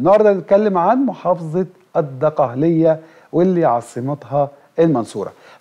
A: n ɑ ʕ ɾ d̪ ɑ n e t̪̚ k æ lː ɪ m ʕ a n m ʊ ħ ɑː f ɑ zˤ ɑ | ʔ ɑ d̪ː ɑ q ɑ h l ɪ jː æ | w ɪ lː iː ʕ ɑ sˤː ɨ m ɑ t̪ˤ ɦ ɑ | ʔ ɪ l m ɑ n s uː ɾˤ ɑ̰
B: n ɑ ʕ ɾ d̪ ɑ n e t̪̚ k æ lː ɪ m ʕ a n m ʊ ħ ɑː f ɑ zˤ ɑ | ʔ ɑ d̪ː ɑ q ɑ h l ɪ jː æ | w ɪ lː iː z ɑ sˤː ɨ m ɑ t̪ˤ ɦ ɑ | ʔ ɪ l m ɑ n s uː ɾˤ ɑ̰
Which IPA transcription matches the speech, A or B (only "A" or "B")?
A